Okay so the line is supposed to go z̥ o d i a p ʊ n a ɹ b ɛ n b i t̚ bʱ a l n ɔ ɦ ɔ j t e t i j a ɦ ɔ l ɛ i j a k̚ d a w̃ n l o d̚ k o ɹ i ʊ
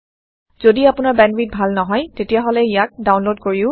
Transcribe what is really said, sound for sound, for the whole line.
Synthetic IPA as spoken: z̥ o d i a p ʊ n a ɹ b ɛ n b i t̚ bʱ a l n ɔ ɦ ɔ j t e t i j a ɦ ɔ l ɛ i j a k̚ d a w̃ n l o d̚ k o ɹ i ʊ